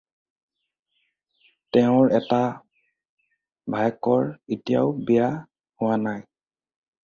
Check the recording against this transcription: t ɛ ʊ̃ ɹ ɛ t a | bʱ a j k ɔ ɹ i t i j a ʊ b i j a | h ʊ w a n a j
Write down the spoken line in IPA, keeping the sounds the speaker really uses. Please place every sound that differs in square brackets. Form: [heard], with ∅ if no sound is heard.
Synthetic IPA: t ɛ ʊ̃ ɹ ɛ t a | bʱ a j k ɔ ɹ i t i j a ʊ b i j a | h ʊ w a n a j